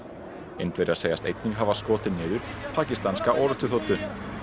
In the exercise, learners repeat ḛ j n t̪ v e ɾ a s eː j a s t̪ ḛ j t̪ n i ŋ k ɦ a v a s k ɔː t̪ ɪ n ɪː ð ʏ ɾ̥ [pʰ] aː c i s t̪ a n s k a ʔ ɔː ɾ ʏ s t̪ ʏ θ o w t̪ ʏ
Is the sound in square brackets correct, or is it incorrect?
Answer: correct